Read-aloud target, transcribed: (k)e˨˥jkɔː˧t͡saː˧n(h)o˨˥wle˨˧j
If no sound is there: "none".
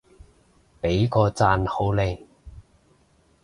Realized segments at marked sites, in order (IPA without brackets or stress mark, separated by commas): p, h